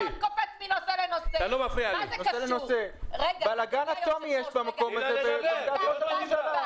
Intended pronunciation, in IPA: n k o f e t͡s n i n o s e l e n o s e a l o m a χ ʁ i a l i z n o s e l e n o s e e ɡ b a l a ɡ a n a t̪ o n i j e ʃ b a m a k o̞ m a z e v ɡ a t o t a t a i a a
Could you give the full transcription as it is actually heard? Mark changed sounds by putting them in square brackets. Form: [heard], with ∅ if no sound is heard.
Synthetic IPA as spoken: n k o f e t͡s [m] i n o s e l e n o s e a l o m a [f] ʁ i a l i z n o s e l e n o s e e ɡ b a l a ɡ a n a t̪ o [m] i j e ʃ b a m a k o̞ m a z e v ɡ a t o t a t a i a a

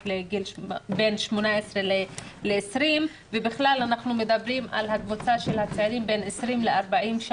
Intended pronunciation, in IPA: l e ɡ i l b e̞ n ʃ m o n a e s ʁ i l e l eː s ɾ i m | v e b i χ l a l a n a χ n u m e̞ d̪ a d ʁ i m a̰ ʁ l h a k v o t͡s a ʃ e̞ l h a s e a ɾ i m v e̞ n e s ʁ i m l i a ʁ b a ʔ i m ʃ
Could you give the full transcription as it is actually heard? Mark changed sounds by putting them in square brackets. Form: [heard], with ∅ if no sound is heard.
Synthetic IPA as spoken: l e ɡ i l b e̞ n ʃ m o n a e s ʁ [e] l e l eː s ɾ i m | v e b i χ l a l a n a χ n u m e̞ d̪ a [b] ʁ i m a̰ [∅] l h a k v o t͡s a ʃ e̞ l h a [t͡s] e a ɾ i m [b] e̞ n e s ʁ i m l [e] a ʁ b a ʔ i m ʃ

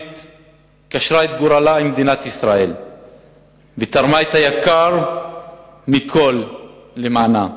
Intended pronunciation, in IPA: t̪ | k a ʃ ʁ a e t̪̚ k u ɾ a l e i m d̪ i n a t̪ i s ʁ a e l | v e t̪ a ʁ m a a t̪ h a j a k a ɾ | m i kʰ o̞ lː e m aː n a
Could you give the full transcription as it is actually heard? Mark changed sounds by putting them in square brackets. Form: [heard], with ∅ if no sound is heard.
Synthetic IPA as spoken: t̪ | k a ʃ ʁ a e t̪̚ [ɡ] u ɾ a l [a] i m d̪ i n a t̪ i s ʁ a e l | v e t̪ a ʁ m a [e] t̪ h a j a k a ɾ | m i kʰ o̞ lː e m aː n a

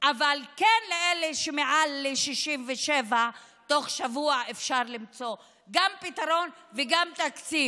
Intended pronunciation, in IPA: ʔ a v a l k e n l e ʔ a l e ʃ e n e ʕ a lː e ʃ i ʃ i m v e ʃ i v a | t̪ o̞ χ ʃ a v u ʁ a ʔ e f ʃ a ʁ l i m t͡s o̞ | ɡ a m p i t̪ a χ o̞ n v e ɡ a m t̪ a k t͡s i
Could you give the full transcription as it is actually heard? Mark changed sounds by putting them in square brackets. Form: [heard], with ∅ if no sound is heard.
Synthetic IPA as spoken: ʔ a v a l k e n l e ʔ [e] l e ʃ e [m] e ʕ a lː e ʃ i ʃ i m v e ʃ [e] v a | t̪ o̞ χ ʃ a v u [∅] a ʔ e f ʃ a ʁ l i m t͡s o̞ | ɡ a m p i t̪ a [ʁ] o̞ n v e ɡ a m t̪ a k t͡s i

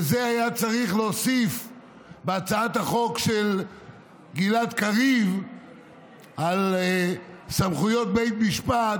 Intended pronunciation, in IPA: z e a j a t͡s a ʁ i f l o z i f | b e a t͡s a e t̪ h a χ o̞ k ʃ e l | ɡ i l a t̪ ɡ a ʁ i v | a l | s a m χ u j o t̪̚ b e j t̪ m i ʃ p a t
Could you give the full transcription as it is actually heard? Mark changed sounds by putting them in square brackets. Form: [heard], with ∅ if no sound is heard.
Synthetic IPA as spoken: z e a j a t͡s a ʁ i [χ] l o [s] i f | b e a t͡s a [a] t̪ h a χ o̞ k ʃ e l | ɡ i l a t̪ [k] a ʁ i v | a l | s a m χ u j o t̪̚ b e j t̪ m i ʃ p a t

